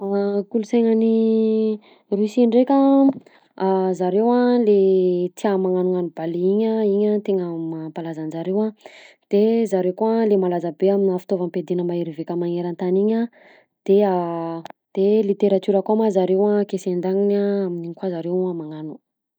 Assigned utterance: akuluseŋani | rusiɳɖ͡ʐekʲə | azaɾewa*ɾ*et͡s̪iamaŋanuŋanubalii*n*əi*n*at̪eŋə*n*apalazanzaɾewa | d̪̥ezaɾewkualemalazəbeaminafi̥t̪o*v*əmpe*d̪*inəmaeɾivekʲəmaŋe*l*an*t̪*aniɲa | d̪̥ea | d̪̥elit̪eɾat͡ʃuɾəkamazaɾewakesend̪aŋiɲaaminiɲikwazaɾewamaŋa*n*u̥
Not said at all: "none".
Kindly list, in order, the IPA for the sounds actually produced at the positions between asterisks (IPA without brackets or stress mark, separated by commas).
l, ɲ, ɲ, m, v, d̪, ɾ, t̪, n